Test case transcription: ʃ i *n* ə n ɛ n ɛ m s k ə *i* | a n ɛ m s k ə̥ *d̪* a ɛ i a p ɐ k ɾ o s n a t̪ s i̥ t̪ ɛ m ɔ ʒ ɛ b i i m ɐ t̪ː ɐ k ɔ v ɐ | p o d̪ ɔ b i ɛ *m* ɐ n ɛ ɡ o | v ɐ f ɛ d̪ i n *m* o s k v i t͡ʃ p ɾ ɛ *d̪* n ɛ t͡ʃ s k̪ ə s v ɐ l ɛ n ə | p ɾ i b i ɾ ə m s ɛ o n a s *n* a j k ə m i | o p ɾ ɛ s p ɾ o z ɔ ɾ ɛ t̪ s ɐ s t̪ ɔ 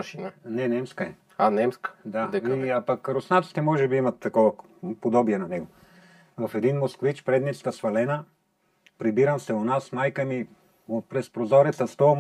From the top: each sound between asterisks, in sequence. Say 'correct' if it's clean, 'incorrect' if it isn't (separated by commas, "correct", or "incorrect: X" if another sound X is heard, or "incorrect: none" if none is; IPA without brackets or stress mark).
correct, incorrect: ɛ, correct, incorrect: n, correct, correct, incorrect: m